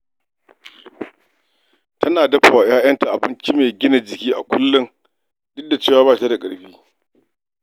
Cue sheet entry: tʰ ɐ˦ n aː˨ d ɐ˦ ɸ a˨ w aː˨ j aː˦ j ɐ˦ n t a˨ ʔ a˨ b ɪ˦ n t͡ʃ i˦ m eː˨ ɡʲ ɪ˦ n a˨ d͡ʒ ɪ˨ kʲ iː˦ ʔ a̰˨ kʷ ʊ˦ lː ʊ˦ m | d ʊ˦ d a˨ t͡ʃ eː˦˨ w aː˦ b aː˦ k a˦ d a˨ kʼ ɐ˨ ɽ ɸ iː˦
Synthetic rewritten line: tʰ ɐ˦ n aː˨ d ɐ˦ ɸ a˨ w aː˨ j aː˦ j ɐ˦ n t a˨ ʔ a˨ b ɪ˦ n t͡ʃ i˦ m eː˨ ɡʲ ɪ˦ n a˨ d͡ʒ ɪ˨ kʲ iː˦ ʔ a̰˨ kʷ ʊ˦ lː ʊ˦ ŋ | d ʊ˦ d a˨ t͡ʃ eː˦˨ w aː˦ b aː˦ t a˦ d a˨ kʼ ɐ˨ ɽ ɸ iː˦